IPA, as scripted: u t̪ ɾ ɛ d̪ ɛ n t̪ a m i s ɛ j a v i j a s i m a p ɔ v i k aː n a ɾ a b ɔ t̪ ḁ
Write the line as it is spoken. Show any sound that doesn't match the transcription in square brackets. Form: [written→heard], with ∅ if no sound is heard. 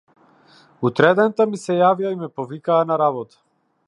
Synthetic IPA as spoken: u t̪ ɾ ɛ d̪ ɛ n t̪ a m i s ɛ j a v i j a [s→∅] i m [a→ɛ] p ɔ v i k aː n a ɾ a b ɔ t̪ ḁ

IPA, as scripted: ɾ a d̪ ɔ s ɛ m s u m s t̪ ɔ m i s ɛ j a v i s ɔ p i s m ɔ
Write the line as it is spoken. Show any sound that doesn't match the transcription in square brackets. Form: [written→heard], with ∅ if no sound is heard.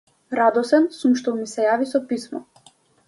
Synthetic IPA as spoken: ɾ a d̪ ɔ s ɛ [m→n] s u m [s→ʃ] t̪ ɔ m i s ɛ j a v i s ɔ p i s m ɔ

